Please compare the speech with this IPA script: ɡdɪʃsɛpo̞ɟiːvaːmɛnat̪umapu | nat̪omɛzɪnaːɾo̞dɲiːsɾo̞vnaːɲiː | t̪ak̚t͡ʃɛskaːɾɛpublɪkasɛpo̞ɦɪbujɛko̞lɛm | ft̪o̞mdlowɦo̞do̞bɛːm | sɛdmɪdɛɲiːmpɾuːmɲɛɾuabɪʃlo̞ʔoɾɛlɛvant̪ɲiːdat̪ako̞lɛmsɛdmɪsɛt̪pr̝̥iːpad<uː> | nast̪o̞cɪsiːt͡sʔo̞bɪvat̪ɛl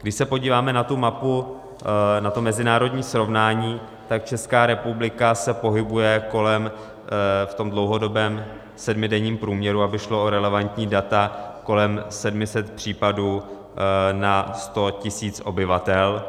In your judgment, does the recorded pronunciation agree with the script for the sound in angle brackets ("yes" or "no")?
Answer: yes